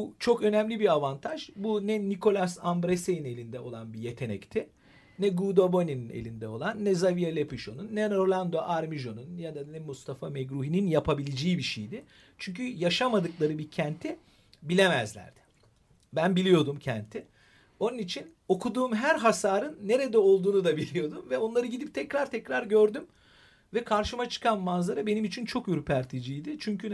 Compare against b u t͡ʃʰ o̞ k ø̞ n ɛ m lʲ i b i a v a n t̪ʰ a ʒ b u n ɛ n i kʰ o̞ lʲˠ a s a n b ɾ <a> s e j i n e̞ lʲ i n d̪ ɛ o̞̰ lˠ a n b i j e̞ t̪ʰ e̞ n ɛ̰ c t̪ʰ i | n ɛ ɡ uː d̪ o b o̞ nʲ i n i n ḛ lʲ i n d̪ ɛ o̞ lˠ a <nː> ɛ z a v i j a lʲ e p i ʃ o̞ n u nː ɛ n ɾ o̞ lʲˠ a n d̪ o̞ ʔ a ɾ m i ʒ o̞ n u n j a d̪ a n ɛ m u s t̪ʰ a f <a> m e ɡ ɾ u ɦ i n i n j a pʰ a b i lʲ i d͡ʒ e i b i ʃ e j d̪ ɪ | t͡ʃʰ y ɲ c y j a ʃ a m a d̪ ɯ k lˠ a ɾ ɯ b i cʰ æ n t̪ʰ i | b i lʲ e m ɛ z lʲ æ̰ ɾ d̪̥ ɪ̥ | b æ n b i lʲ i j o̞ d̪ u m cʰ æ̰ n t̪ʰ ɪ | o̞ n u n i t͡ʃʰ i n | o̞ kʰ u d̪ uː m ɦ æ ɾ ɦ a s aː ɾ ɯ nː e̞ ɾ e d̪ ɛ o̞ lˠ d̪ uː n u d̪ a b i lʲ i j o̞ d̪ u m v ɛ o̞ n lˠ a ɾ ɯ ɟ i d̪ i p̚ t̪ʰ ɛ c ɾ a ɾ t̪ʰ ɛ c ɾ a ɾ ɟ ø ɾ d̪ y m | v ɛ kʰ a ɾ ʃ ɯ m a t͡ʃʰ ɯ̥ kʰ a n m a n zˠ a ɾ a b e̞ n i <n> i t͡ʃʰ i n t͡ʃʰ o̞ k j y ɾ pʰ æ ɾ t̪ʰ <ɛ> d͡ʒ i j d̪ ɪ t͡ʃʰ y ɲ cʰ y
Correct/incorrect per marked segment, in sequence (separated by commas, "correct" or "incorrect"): incorrect, correct, correct, incorrect, incorrect